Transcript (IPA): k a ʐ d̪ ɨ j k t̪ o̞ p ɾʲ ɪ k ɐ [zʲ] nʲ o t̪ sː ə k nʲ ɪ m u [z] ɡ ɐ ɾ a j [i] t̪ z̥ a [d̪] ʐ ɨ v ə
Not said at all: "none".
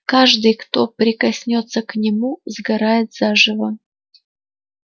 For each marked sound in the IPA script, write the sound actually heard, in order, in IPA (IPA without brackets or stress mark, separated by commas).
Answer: sʲ, z, ɪ, none